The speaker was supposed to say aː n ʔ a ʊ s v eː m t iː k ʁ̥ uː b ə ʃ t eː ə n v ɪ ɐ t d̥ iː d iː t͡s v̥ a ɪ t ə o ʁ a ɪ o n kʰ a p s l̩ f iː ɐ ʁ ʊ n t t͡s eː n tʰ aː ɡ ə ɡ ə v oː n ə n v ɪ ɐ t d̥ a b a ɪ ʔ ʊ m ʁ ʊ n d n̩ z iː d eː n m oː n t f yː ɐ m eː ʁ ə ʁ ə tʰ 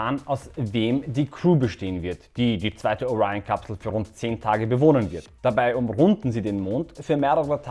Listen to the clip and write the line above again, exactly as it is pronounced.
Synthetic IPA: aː n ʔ a ʊ s v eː m d iː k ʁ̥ uː b ə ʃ t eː ə n v ɪ ɐ t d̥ iː d iː t͡s v̥ a ɪ t ə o ʁ a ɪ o n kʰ a p s l̩ f yː ɐ ʁ ʊ n t t͡s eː n tʰ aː ɡ ə b ə v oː n ə n v ɪ ɐ t d̥ a b a ɪ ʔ ʊ m ʁ ʊ n d n̩ z iː d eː n m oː n t f yː ɐ m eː ʁ ə ʁ ə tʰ